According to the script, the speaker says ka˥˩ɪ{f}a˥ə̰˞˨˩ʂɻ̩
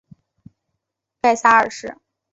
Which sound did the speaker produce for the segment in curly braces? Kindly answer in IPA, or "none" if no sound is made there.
s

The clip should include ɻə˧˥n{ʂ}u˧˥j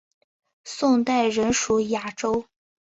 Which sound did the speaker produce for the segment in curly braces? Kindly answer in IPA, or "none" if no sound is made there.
ʂ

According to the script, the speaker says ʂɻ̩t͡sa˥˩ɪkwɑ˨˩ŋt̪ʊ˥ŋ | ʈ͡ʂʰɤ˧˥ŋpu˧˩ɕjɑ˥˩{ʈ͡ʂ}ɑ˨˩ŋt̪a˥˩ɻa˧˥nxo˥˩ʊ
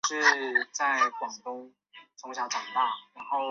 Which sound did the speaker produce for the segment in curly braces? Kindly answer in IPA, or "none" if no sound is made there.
ʈ͡ʂ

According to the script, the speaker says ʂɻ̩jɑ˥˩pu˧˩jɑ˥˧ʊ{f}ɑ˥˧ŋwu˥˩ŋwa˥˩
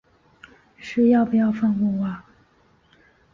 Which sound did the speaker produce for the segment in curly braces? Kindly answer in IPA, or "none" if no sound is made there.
f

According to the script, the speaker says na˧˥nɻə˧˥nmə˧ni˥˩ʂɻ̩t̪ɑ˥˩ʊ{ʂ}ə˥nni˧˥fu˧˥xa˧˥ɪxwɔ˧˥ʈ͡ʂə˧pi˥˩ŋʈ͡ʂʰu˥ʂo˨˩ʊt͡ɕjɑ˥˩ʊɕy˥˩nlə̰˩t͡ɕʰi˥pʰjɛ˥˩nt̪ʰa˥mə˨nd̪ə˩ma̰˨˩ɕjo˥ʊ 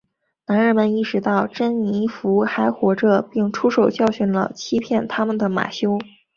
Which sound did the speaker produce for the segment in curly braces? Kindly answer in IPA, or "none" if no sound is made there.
ʈ͡ʂ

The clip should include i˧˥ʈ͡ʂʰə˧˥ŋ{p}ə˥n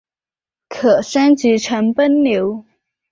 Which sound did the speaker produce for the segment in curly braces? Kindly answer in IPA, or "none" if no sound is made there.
p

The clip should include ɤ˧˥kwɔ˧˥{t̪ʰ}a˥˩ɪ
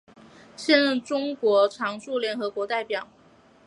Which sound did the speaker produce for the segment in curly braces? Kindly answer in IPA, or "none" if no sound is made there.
t̪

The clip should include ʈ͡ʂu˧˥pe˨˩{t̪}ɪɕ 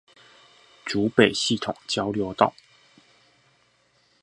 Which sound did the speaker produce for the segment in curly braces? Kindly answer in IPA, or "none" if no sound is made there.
none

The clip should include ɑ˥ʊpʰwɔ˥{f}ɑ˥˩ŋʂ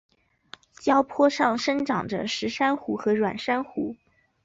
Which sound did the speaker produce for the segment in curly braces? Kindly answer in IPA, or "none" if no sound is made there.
ʂ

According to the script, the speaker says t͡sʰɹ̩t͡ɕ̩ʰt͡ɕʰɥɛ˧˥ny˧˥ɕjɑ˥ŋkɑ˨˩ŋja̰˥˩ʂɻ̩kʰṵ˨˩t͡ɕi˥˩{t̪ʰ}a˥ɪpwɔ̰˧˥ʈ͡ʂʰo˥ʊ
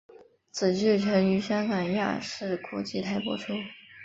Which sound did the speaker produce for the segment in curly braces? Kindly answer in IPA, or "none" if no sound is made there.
t̪ʰ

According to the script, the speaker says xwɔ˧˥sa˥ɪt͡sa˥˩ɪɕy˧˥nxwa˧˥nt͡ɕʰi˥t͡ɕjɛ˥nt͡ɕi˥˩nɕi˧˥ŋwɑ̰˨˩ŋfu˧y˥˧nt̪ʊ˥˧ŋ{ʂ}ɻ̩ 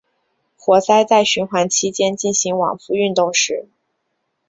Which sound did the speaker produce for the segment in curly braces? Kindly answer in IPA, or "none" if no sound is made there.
ʂ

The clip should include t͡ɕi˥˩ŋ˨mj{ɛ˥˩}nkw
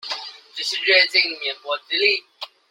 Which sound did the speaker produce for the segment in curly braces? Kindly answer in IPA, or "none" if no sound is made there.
ɛ˧˥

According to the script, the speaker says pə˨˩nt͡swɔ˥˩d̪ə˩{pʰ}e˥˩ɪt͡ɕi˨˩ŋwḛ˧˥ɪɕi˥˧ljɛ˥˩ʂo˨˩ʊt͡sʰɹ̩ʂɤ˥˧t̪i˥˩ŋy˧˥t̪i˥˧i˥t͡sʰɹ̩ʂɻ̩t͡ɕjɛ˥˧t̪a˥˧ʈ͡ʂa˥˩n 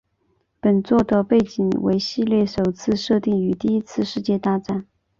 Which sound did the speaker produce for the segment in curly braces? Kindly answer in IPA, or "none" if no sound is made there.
p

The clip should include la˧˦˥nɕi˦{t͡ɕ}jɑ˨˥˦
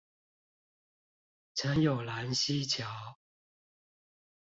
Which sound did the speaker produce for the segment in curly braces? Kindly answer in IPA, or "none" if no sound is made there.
t͡ɕʰ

